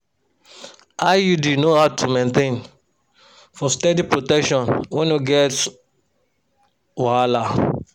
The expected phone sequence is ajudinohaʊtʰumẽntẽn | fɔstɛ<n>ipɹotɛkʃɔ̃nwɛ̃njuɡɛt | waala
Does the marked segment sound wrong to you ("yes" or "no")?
yes